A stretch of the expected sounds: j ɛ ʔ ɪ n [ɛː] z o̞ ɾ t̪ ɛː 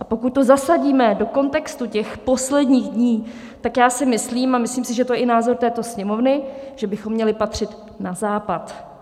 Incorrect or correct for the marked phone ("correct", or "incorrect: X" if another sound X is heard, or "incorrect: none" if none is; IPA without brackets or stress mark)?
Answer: incorrect: aː